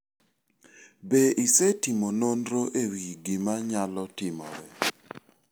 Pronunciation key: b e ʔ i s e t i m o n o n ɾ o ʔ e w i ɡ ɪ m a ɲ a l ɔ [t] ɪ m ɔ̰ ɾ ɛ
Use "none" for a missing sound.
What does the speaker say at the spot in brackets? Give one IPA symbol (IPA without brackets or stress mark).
t